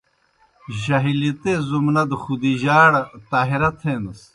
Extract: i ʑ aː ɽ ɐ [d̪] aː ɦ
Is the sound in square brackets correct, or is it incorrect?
incorrect